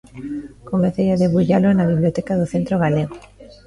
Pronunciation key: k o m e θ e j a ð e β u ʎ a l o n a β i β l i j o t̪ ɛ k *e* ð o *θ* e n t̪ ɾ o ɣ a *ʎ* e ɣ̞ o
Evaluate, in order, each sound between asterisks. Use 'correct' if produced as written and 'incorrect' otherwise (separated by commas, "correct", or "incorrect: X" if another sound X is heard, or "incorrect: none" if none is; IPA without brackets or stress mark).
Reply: incorrect: a, correct, incorrect: l